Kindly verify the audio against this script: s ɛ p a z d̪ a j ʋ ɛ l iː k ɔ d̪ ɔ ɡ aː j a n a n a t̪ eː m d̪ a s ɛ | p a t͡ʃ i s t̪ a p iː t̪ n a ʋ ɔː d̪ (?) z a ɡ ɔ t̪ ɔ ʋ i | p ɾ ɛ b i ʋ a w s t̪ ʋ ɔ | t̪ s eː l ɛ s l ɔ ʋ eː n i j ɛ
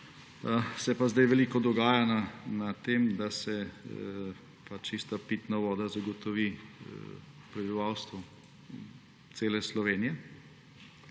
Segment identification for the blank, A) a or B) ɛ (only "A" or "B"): A